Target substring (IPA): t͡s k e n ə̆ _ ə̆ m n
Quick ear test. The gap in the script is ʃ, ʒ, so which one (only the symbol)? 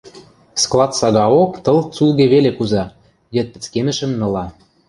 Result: ʃ